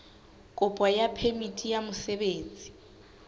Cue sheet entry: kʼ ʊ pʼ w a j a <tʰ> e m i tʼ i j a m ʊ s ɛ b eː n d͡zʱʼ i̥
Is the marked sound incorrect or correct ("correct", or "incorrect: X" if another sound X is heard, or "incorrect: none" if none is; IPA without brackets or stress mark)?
incorrect: pʰ